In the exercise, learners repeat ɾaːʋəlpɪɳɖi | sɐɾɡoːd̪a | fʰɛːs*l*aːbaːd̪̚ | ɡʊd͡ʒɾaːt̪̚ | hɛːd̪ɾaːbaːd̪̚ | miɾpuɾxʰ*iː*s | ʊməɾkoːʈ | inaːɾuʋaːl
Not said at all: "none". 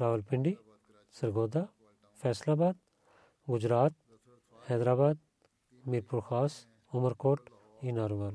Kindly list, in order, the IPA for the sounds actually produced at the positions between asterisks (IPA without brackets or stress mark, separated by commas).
l, aː